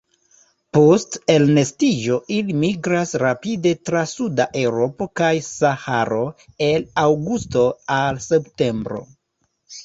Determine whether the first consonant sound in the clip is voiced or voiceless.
voiceless